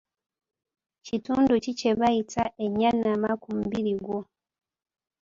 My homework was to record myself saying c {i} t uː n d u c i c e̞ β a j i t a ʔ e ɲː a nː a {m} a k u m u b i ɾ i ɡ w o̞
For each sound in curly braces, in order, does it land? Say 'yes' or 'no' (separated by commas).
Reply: yes, yes